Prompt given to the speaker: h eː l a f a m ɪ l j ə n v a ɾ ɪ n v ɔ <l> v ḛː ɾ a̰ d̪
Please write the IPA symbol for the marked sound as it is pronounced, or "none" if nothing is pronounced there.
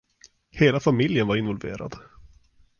l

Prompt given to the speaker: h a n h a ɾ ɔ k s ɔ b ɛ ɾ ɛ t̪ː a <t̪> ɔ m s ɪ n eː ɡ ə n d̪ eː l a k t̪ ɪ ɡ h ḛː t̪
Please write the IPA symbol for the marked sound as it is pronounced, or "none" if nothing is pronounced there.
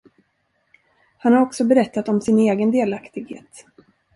t̪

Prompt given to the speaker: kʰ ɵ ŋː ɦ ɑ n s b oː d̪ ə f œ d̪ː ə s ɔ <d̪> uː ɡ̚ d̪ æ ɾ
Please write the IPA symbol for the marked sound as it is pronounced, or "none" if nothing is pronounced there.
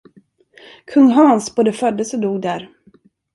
d̪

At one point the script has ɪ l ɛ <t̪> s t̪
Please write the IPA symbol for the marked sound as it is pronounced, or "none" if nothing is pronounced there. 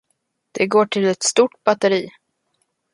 t̪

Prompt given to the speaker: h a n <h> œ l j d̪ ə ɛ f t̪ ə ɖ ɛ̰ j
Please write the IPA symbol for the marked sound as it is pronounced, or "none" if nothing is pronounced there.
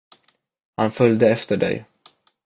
f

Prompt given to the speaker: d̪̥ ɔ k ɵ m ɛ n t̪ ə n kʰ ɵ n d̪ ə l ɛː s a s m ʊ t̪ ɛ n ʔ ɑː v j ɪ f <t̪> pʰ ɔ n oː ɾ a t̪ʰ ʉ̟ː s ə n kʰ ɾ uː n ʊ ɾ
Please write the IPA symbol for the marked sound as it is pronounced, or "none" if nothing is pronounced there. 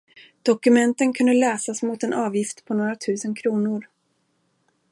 t̪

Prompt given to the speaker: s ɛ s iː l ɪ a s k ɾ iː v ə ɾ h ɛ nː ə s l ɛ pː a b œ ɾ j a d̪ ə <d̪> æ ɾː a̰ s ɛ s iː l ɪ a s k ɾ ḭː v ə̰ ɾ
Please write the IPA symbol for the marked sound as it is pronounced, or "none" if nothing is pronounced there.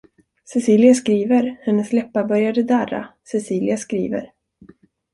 d̪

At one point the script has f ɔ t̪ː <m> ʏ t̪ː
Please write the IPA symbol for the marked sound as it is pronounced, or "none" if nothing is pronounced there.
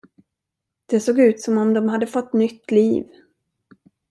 n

